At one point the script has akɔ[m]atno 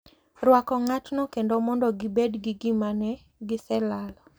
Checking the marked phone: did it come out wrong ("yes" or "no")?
yes